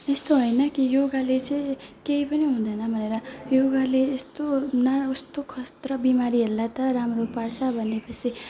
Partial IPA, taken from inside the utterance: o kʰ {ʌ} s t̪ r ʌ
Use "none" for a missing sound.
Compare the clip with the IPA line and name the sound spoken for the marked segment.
ʌ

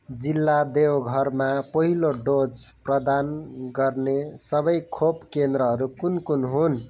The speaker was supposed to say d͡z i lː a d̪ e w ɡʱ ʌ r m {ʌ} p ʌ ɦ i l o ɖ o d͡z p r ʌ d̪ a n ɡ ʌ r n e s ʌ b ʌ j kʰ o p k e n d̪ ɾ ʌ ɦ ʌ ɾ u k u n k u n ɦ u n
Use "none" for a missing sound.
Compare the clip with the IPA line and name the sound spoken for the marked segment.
a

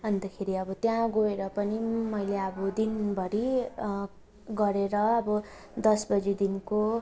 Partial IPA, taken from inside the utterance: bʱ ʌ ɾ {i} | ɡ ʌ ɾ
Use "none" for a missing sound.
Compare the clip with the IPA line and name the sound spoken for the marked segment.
i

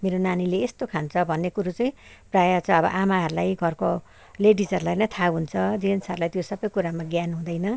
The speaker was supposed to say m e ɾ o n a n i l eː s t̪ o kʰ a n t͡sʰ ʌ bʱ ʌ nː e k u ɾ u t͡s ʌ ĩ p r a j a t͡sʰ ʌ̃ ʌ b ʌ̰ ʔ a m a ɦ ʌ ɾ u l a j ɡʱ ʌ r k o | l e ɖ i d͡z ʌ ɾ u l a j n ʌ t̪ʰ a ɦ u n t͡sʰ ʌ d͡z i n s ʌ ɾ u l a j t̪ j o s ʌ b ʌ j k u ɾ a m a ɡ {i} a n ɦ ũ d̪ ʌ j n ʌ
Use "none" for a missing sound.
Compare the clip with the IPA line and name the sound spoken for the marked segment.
j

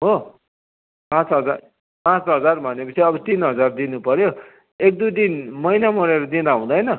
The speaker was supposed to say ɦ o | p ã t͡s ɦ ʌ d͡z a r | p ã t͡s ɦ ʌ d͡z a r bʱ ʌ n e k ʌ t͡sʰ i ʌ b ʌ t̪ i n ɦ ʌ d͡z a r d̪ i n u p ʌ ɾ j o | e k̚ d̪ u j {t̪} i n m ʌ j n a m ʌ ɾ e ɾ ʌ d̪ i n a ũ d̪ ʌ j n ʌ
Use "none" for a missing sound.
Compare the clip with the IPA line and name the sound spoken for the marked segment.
d̪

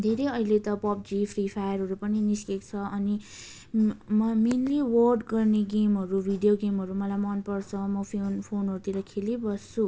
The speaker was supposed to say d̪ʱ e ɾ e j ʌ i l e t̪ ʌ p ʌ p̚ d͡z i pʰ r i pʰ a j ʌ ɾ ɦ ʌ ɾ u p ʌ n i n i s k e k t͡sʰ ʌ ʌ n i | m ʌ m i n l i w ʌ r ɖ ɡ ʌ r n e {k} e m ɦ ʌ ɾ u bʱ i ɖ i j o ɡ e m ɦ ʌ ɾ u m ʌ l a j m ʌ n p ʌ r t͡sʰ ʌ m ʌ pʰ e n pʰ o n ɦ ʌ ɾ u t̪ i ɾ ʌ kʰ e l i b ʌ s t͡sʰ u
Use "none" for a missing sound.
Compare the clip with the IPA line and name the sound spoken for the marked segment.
ɡ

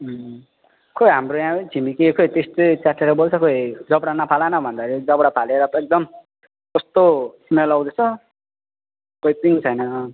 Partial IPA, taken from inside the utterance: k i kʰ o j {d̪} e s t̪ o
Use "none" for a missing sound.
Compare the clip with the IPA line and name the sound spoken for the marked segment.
t̪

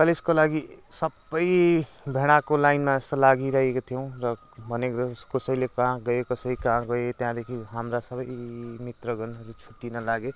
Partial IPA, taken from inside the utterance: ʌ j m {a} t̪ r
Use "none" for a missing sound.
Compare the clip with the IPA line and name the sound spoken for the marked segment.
i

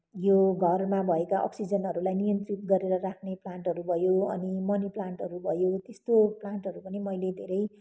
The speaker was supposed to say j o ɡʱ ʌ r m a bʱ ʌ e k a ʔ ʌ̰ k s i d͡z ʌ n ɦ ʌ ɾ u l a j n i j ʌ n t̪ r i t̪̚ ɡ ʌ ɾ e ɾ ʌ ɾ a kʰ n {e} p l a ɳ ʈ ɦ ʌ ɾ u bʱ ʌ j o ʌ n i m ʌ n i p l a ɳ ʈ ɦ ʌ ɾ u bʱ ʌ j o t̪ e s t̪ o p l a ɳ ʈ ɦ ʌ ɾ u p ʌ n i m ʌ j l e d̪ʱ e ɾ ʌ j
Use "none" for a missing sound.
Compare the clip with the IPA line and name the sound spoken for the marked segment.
e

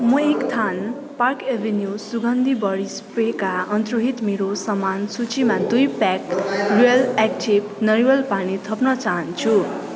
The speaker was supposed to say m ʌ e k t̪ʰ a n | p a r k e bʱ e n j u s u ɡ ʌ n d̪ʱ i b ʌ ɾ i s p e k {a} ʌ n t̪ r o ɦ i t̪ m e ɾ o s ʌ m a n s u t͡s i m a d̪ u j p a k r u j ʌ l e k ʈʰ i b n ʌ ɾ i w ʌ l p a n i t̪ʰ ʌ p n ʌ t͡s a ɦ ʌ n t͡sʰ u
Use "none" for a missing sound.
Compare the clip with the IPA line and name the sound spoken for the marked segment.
a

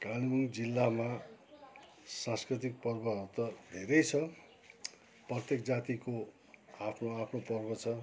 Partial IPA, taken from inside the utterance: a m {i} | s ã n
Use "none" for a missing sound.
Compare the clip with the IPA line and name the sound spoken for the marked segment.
a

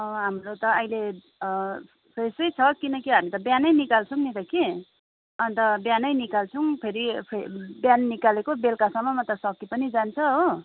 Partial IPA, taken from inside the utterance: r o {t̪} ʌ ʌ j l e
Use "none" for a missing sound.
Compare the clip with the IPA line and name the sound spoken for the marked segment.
t̪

